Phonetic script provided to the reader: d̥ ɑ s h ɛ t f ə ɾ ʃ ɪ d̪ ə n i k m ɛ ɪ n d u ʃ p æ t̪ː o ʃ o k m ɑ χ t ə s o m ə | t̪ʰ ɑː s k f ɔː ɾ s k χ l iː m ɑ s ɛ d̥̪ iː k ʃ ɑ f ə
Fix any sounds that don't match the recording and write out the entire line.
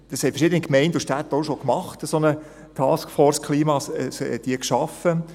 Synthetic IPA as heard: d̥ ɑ s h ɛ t f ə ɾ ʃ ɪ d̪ ə n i k m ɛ ɪ n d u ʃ t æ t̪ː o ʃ o k m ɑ χ t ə s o n ə | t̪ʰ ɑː s k f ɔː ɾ s k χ l iː m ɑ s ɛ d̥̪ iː k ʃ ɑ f ə